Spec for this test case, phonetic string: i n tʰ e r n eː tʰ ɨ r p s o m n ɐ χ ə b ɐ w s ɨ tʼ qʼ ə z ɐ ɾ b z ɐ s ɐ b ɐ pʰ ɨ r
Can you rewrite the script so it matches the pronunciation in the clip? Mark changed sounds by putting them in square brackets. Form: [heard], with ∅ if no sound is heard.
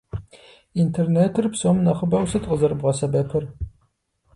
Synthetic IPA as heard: i n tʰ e r n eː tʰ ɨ r p s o m n ɐ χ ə b ɐ w s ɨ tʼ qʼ ə z ɐ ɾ b [ʁ] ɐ s ɐ b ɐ pʰ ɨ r